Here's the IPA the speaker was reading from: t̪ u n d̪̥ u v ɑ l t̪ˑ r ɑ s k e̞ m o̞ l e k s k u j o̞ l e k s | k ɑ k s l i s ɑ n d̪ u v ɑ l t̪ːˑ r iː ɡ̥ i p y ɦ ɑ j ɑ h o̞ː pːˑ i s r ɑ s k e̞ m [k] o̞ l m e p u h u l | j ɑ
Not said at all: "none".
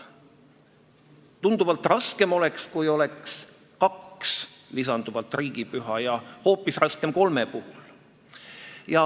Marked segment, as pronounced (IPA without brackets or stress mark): k